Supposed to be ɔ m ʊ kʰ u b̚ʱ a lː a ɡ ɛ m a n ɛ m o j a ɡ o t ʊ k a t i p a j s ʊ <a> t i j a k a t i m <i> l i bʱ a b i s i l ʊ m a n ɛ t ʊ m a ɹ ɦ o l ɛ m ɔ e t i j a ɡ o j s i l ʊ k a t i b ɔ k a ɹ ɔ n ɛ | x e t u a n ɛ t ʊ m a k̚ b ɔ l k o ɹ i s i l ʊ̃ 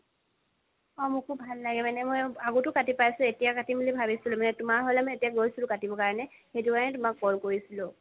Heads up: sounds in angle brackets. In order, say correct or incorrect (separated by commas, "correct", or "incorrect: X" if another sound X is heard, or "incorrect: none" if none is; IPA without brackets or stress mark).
incorrect: e, correct